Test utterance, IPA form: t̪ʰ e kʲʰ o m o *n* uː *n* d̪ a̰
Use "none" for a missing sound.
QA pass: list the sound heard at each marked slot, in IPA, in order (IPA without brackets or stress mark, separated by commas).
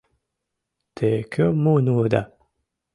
n, none